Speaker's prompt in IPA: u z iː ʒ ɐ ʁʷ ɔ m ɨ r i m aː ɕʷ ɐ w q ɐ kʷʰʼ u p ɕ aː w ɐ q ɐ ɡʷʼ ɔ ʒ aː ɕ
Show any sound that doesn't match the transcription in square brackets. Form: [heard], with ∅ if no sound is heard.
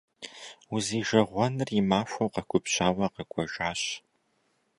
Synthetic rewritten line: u z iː ʒ ɐ ʁʷ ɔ [n] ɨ r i m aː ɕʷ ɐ w q ɐ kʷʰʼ [ʊ] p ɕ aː w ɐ q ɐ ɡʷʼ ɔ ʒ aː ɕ